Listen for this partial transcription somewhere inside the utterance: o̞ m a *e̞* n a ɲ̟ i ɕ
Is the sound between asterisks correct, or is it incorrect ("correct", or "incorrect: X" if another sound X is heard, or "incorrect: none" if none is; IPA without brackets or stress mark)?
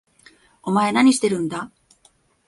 correct